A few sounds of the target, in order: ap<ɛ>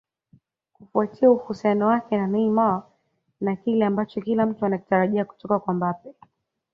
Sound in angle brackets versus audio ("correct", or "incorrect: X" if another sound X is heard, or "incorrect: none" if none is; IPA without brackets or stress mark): correct